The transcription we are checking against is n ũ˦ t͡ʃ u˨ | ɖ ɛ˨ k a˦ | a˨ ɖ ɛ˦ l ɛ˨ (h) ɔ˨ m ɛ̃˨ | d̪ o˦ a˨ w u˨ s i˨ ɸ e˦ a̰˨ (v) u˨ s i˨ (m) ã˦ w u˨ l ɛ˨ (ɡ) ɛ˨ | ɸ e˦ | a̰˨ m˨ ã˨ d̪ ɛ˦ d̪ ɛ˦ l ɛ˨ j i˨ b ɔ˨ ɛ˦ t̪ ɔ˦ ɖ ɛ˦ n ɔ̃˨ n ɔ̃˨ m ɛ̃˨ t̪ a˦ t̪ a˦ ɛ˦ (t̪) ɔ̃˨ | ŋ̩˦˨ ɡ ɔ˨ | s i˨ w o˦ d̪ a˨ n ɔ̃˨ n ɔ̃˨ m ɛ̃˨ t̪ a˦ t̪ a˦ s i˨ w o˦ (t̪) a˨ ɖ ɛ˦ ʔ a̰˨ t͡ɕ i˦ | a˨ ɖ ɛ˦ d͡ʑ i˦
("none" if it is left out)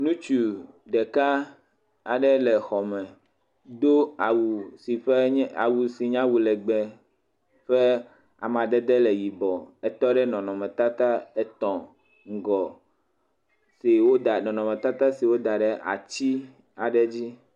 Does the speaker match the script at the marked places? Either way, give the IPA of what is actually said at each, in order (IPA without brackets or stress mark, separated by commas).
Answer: x, w, ɲ, ɡ͡b, t̪, d̪